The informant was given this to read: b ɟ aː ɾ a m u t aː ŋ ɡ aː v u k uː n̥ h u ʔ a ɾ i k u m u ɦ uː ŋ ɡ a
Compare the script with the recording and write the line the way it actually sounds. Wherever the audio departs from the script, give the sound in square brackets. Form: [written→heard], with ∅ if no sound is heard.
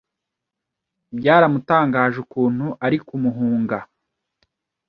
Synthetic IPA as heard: b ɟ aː ɾ a m u t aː ŋ ɡ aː [v→ʒ] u k uː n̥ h u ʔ a ɾ i k u m u ɦ uː ŋ ɡ a